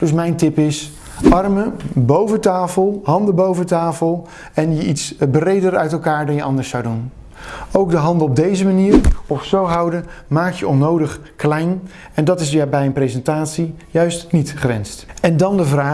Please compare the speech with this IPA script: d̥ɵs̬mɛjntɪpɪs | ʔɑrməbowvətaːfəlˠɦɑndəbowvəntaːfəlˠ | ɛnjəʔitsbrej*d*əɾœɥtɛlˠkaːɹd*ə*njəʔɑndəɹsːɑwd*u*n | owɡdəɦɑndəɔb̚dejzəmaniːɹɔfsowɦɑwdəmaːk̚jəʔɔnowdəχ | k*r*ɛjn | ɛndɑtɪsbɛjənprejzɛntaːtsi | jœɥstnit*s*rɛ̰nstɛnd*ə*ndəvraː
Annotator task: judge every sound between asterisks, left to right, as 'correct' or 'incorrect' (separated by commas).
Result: correct, incorrect, correct, incorrect, incorrect, incorrect